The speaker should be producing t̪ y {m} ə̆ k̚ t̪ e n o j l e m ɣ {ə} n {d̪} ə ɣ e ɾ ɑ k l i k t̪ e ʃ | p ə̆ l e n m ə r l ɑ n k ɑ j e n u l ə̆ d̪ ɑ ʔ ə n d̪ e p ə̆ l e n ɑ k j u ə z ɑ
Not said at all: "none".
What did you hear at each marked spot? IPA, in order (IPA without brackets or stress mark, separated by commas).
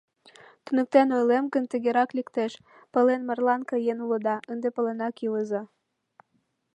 n, ə, t̪